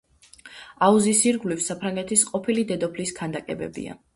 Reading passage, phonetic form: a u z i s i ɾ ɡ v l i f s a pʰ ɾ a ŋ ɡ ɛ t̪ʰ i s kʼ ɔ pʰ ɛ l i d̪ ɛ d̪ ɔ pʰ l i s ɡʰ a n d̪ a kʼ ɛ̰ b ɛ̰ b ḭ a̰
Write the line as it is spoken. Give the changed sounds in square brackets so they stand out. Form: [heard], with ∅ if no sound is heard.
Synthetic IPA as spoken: a u z i s i ɾ ɡ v l i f s a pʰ ɾ a ŋ ɡ ɛ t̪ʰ i s [qʼ] ɔ pʰ [i] l i d̪ ɛ d̪ ɔ pʰ l i s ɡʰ a n d̪ a kʼ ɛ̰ b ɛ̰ b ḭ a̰